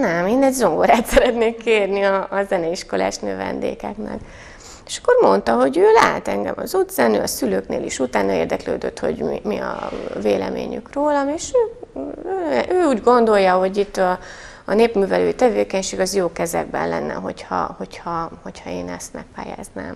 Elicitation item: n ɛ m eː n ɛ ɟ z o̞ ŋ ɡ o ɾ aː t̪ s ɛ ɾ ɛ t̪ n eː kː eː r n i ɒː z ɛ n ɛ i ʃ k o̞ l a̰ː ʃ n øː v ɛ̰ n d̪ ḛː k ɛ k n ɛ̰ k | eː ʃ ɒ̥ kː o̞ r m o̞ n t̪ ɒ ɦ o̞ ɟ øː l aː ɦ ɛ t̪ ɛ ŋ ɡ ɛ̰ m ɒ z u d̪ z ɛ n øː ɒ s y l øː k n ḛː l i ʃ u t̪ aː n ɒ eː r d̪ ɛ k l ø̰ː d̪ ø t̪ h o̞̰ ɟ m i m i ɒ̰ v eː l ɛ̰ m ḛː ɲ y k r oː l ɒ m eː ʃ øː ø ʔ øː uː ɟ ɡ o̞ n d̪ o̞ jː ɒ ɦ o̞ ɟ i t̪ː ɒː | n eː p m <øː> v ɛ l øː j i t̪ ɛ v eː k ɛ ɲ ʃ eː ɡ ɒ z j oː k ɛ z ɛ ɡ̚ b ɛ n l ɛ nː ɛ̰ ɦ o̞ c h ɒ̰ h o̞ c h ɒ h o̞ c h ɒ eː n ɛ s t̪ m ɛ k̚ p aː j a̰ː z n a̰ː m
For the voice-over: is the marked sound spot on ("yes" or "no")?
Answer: no